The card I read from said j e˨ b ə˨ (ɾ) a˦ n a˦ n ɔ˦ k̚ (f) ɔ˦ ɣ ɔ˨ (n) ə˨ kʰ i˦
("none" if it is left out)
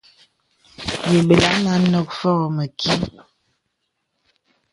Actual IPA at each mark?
l, f, m

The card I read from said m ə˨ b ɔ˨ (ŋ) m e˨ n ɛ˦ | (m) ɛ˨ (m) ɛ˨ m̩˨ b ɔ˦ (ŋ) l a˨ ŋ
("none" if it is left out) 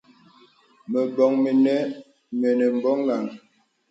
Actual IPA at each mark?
ŋ, m, n, ŋ

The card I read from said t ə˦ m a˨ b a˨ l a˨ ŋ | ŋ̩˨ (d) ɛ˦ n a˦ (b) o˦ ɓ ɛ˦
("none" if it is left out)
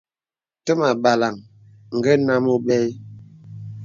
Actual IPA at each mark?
ɡ, m

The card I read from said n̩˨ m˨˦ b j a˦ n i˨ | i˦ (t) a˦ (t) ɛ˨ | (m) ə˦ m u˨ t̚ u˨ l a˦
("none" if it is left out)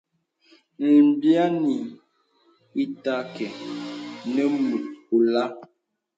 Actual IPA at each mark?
t, k, n

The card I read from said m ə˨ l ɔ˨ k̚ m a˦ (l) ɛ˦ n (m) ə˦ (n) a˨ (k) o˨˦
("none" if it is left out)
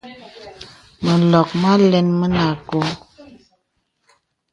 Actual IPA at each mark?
l, m, n, k

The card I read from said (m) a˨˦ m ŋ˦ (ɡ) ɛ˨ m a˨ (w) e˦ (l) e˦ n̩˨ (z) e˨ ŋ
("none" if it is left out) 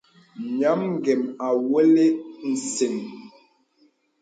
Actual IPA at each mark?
ɲ, ɡ, w, l, s

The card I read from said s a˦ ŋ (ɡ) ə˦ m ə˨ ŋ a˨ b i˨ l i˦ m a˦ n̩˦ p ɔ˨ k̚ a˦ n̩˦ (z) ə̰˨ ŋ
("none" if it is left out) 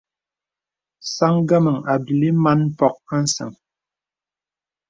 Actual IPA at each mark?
ɡ, s

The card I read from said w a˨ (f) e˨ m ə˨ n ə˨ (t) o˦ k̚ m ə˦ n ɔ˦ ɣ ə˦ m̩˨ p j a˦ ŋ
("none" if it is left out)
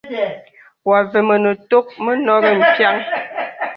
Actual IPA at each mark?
v, t

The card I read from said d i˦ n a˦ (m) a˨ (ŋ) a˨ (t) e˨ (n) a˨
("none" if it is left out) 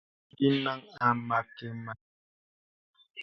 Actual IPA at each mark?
ŋ, m, k, m

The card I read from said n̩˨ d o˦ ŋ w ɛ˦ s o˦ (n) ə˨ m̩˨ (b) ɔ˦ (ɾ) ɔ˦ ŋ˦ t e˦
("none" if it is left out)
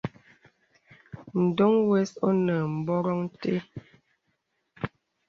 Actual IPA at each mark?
n, b, ɾ

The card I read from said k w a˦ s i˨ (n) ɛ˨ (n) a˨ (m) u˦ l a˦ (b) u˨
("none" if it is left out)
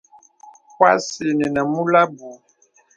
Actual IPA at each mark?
n, n, m, b

